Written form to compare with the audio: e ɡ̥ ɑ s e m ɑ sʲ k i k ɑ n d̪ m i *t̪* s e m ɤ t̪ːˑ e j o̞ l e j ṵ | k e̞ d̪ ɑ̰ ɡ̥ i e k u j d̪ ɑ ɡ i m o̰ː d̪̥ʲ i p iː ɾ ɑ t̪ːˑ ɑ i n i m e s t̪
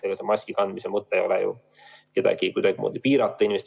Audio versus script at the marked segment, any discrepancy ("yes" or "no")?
yes